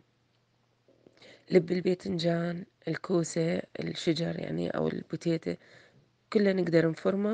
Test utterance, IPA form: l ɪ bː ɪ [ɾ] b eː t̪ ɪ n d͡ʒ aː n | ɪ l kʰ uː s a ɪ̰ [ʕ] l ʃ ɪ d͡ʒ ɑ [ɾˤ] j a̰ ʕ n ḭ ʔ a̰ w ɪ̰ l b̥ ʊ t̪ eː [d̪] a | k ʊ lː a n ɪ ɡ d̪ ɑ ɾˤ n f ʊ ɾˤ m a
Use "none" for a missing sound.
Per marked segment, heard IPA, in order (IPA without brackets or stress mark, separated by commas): l, none, ɾˤ, t̪